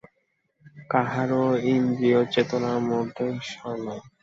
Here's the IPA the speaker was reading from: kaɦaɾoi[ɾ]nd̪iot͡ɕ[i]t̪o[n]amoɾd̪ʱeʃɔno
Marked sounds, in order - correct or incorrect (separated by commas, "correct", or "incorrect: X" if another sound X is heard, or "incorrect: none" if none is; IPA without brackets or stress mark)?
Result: incorrect: none, incorrect: e, correct